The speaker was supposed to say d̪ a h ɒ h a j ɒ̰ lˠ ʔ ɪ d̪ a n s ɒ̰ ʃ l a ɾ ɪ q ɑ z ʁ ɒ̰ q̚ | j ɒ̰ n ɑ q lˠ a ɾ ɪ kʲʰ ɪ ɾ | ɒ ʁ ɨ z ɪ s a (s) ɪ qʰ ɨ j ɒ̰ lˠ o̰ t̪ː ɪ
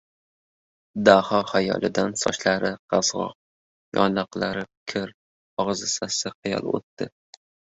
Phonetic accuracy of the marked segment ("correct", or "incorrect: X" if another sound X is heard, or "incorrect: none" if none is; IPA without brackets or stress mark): correct